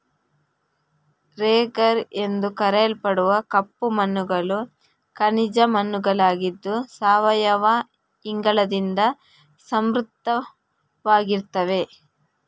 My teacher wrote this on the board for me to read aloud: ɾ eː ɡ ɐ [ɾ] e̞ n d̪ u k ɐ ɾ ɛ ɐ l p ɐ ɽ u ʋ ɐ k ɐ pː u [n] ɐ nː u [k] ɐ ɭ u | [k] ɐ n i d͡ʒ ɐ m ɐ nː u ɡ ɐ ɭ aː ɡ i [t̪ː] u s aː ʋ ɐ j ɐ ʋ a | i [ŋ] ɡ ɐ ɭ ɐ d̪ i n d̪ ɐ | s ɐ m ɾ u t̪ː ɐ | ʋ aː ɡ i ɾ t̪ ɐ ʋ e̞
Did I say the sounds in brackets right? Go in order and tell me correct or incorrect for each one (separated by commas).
correct, incorrect, incorrect, correct, incorrect, correct